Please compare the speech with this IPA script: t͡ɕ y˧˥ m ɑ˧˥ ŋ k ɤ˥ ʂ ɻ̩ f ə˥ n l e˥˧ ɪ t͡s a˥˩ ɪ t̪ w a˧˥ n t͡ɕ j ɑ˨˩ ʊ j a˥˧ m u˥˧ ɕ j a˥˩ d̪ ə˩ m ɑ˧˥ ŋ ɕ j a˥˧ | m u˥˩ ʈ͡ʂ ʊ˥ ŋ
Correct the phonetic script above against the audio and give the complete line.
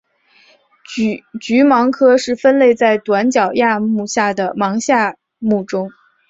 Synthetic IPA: t͡ɕ y˧˥ m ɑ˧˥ ŋ kʰ ɤ˥ ʂ ɻ̩ f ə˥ n l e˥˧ ɪ t͡s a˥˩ ɪ t̪ w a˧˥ n t͡ɕ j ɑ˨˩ ʊ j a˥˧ m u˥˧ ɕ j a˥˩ d̪ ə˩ m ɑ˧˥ ŋ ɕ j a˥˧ | m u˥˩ ʈ͡ʂ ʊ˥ ŋ